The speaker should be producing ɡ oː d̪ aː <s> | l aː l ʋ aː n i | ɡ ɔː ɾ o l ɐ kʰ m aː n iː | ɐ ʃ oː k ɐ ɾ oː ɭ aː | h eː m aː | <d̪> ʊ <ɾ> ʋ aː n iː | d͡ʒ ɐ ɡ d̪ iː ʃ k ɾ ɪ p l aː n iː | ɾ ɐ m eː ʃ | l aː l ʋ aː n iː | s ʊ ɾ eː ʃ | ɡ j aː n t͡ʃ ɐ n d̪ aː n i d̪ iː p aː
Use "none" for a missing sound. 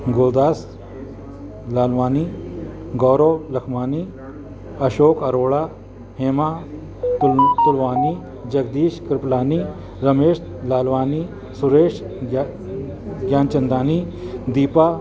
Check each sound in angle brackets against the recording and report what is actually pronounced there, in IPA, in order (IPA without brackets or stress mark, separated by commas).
s, t̪, l